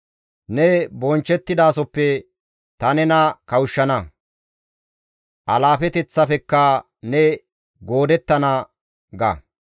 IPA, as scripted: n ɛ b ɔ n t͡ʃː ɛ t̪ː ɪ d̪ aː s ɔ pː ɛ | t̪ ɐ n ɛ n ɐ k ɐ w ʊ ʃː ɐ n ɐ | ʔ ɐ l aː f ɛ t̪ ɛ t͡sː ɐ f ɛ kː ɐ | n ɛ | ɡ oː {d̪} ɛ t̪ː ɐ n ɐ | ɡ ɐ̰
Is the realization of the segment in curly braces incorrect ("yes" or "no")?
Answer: no